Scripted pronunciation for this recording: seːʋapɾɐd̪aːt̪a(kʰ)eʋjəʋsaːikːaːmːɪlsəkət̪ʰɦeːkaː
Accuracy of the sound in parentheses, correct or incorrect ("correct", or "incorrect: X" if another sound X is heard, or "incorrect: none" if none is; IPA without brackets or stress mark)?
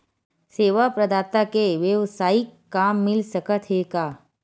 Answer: incorrect: k